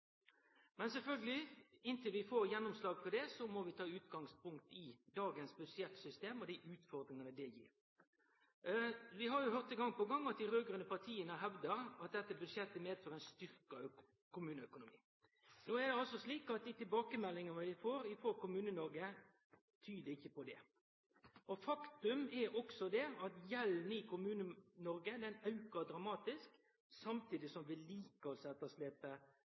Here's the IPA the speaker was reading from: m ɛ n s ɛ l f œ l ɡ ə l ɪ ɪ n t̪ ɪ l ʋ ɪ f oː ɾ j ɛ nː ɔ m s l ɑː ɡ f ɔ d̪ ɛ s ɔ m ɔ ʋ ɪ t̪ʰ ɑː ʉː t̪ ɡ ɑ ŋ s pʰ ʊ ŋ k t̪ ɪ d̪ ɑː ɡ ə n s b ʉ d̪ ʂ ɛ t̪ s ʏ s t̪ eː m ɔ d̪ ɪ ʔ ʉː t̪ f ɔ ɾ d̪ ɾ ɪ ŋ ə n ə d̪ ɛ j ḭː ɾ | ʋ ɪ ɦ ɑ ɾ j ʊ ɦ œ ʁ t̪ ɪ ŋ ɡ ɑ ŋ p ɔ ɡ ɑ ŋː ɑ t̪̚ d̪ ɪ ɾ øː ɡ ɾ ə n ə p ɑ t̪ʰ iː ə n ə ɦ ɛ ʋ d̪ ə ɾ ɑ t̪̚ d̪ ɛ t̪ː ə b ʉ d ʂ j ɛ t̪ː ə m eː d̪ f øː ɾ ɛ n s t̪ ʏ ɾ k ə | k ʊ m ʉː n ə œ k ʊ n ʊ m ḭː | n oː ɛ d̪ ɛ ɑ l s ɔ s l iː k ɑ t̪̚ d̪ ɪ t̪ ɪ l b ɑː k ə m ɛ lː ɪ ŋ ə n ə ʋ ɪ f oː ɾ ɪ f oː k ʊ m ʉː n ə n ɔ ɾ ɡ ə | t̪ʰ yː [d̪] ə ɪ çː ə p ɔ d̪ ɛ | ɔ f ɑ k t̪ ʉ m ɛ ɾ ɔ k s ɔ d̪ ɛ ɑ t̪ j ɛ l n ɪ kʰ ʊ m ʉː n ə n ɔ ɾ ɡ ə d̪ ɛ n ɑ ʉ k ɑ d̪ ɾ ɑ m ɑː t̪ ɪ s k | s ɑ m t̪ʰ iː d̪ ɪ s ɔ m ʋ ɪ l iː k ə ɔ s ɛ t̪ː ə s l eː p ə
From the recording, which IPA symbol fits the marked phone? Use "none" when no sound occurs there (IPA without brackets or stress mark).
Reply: d̪